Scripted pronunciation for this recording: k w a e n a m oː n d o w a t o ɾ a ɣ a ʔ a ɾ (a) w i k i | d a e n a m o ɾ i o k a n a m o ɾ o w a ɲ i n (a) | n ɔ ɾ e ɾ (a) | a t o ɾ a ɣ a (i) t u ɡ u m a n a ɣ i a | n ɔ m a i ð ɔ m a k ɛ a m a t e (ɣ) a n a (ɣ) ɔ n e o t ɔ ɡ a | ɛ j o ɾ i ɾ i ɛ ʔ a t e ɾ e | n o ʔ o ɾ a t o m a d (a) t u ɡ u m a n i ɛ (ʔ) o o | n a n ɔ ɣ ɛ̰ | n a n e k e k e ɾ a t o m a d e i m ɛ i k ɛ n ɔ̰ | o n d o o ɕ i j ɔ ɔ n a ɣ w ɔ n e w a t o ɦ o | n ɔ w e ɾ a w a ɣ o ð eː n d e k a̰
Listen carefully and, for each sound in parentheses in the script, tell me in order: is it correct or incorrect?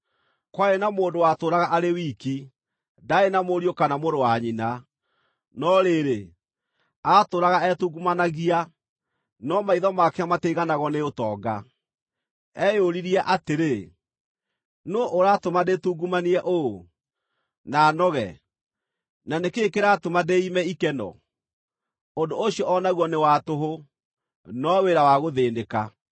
incorrect, correct, incorrect, incorrect, correct, correct, incorrect, correct

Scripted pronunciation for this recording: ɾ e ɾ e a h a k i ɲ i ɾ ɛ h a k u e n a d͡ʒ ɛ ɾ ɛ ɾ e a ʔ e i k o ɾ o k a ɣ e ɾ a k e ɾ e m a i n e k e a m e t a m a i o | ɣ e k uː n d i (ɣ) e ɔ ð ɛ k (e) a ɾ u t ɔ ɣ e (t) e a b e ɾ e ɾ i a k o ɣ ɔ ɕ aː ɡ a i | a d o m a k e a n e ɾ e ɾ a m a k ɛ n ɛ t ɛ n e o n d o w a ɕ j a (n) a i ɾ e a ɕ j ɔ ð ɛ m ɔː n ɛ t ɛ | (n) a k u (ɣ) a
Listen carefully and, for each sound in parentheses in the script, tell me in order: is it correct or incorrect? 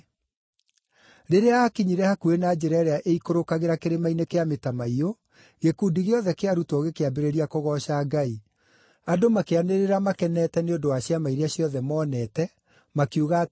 correct, correct, incorrect, incorrect, incorrect, correct

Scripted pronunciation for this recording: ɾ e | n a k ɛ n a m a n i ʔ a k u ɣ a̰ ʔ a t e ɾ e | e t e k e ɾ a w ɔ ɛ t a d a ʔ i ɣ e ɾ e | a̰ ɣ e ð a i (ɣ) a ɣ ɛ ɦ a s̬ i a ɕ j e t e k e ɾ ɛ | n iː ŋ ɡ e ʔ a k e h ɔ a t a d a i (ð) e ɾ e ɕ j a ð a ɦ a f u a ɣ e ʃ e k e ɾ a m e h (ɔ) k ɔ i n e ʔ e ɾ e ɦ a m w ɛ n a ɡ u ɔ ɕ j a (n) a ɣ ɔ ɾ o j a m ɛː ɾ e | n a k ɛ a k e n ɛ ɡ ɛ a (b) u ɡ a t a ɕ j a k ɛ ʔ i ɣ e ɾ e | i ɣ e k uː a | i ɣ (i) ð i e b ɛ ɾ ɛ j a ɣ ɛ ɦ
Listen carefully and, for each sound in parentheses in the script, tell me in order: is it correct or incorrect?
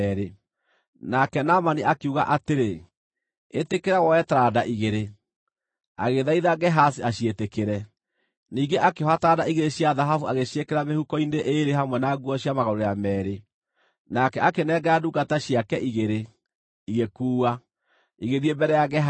incorrect, incorrect, incorrect, incorrect, incorrect, incorrect

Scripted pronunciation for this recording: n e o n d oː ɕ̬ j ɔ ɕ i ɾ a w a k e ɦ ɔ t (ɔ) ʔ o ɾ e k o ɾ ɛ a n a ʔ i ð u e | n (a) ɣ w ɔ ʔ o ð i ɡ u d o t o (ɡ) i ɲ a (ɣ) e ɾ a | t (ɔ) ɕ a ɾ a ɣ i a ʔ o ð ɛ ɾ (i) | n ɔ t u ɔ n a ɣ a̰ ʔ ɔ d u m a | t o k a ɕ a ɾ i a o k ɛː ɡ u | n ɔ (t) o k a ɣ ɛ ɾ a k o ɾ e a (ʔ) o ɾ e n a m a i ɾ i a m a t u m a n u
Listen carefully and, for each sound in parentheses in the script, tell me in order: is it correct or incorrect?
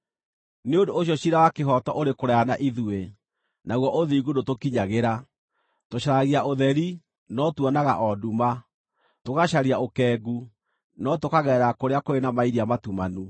correct, correct, incorrect, correct, incorrect, correct, correct, incorrect

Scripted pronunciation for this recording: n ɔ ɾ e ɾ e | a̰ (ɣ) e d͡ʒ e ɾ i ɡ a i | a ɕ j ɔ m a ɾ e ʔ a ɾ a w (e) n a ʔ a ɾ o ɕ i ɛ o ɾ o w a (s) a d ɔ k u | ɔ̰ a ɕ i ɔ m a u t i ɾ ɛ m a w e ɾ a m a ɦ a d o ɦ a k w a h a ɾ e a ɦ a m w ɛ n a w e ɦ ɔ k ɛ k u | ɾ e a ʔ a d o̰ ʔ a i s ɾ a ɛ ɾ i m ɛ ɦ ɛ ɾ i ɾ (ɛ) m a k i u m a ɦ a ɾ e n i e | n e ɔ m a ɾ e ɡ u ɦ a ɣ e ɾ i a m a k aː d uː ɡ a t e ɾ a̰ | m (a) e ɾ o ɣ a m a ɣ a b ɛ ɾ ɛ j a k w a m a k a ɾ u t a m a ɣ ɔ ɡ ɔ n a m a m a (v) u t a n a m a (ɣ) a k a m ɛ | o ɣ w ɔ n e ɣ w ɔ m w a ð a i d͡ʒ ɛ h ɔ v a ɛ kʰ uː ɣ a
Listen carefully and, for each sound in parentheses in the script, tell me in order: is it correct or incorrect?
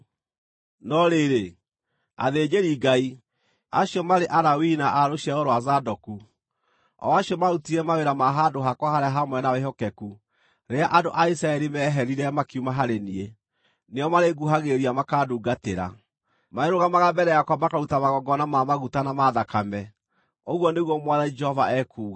incorrect, incorrect, incorrect, correct, correct, incorrect, incorrect

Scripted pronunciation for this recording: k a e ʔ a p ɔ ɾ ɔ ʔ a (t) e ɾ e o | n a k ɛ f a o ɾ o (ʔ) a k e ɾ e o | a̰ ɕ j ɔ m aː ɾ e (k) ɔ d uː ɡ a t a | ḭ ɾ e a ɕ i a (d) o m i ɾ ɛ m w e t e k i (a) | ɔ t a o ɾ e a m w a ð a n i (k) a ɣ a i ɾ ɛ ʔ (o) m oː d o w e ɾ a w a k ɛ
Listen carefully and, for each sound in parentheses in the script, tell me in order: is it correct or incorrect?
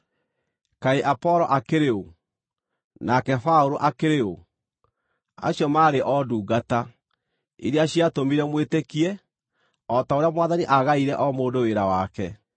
incorrect, correct, incorrect, incorrect, incorrect, incorrect, incorrect

